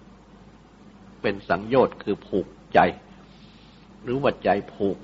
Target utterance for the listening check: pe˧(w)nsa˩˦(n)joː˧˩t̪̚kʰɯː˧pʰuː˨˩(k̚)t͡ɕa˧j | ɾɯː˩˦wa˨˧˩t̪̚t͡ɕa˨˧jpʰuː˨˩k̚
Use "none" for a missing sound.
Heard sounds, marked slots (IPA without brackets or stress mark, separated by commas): none, ŋ, k̚